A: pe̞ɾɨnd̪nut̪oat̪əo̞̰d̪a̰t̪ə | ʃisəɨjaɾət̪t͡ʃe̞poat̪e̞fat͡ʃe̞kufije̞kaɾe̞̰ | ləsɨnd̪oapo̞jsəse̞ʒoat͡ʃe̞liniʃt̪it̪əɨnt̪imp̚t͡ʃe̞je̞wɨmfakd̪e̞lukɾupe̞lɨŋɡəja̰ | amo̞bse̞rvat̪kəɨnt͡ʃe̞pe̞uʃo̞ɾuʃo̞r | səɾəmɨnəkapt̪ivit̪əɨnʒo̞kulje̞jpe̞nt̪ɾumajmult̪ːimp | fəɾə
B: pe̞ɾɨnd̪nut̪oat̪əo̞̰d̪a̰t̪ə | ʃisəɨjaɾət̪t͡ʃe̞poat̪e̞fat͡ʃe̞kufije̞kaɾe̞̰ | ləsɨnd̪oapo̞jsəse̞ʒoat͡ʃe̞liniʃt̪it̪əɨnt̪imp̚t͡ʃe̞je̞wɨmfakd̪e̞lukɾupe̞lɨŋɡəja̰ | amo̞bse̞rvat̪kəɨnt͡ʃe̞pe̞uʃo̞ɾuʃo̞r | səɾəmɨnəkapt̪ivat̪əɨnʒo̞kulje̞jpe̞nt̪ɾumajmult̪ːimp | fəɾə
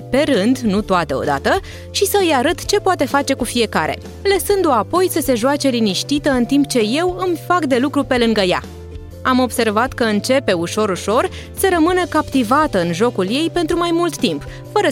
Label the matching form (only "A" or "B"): B